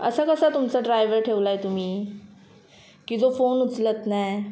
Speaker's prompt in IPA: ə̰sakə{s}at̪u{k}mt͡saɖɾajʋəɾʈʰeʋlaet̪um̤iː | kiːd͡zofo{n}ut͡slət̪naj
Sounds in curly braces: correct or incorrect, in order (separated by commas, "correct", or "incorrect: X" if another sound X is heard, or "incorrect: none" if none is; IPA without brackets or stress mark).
correct, incorrect: none, correct